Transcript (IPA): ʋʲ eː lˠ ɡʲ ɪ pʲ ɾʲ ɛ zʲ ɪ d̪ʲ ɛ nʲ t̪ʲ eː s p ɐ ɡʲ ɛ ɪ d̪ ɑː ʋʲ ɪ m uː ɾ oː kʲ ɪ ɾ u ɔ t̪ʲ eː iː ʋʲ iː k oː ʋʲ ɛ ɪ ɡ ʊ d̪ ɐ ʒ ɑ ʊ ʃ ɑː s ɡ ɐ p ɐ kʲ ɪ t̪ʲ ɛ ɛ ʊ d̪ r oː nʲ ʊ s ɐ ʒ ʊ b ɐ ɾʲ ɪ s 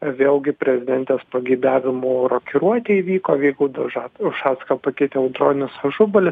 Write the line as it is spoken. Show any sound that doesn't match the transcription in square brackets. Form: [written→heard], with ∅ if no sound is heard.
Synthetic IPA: ʋʲ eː lˠ ɡʲ ɪ pʲ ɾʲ ɛ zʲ ɪ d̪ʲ ɛ nʲ t̪ʲ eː s p ɐ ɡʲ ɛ ɪ d̪ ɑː ʋʲ ɪ m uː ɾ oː kʲ ɪ ɾ u ɔ t̪ʲ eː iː ʋʲ iː k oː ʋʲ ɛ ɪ ɡ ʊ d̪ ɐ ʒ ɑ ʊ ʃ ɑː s [ɡ→k] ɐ p ɐ kʲ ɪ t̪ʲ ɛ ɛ ʊ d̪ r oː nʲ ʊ s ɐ ʒ ʊ b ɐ [ɾʲ→lʲ] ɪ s